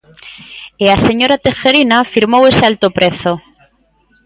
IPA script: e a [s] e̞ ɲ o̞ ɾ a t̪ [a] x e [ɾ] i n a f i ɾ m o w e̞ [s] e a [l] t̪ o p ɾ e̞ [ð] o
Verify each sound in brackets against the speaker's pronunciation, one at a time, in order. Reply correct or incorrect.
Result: correct, incorrect: e, correct, correct, correct, incorrect: θ

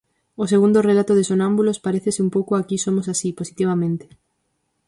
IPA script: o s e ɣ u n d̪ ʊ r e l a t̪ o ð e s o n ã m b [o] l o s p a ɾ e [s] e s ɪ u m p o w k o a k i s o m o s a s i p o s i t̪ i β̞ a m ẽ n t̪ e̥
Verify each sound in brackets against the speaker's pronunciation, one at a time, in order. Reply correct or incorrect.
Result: incorrect: u, incorrect: θ

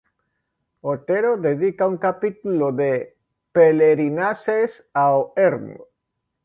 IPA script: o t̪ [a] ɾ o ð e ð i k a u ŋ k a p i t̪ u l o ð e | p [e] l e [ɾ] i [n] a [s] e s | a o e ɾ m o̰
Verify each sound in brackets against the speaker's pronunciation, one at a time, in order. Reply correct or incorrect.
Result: incorrect: e, correct, correct, correct, correct

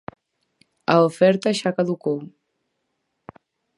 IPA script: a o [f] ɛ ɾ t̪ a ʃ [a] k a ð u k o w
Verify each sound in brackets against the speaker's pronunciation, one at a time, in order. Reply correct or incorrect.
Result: correct, correct

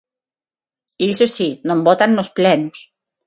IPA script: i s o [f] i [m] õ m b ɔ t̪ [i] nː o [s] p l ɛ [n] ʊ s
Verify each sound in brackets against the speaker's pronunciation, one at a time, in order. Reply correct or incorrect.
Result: incorrect: s, incorrect: n, incorrect: a, correct, correct

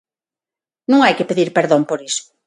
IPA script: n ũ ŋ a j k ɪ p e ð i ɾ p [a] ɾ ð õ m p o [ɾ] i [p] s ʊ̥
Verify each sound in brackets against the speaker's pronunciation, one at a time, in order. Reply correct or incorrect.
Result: incorrect: e, correct, incorrect: none

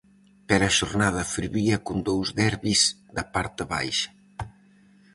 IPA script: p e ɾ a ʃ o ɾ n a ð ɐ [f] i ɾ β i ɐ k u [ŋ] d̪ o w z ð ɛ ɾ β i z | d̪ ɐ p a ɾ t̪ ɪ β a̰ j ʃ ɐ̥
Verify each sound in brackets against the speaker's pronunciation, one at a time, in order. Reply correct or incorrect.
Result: correct, incorrect: n

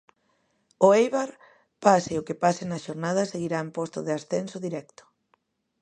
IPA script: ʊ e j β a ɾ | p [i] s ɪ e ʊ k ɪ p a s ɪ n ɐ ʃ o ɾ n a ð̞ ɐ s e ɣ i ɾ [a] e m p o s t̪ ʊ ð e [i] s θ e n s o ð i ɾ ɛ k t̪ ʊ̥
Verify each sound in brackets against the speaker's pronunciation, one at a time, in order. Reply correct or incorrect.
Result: incorrect: a, correct, incorrect: a

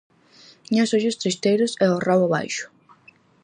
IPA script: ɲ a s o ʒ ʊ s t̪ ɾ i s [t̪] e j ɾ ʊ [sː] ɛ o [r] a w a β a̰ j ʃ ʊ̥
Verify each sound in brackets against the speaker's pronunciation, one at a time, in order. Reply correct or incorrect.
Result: correct, incorrect: s, correct

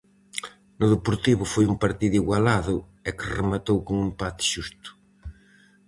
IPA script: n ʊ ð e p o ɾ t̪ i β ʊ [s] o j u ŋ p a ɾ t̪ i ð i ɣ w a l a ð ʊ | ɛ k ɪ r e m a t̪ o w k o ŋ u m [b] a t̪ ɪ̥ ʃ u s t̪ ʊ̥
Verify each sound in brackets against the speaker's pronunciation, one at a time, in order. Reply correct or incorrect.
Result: incorrect: f, incorrect: p

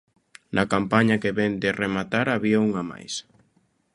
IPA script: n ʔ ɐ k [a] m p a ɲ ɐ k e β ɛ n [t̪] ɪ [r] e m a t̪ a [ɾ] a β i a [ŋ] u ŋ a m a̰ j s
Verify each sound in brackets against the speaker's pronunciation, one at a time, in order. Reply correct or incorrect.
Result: correct, incorrect: d̪, correct, correct, incorrect: none

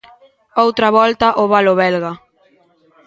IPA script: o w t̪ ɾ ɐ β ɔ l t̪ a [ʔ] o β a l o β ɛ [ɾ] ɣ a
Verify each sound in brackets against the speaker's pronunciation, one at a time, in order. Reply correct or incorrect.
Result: correct, incorrect: l

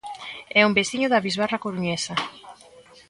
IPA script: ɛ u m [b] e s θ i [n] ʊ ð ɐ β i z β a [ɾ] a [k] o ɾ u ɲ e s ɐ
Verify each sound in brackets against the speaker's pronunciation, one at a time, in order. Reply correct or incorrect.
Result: correct, incorrect: ɲ, incorrect: r, correct

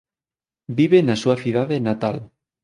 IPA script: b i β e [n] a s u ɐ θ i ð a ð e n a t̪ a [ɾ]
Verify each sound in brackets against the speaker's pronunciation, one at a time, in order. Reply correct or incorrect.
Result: correct, incorrect: l

